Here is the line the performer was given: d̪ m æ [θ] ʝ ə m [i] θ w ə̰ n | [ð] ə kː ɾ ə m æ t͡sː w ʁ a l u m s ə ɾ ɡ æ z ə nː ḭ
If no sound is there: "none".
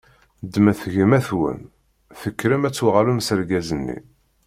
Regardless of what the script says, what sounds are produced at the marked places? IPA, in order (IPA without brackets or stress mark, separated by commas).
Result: θ, æ, θ